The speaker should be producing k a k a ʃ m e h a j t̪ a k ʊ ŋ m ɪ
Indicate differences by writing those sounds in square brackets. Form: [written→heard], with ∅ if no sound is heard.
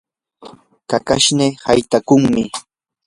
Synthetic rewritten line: k a k a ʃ [m→n] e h a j t̪ a k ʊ ŋ m ɪ